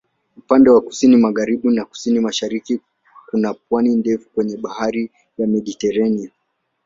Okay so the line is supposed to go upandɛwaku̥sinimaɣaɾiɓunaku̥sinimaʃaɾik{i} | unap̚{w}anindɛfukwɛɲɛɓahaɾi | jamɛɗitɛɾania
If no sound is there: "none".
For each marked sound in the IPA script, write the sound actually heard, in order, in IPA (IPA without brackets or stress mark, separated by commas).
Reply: i, w